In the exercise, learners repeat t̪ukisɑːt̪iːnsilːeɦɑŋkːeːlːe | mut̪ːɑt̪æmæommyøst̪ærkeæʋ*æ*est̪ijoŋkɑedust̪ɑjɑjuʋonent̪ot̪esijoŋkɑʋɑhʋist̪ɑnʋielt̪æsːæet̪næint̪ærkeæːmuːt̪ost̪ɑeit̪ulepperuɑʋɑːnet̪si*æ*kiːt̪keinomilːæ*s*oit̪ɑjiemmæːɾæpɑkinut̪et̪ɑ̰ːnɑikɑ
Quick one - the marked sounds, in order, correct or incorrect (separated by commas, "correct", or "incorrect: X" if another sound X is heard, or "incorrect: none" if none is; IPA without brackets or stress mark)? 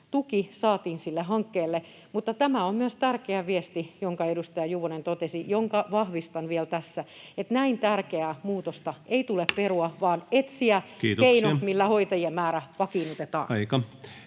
incorrect: i, correct, incorrect: h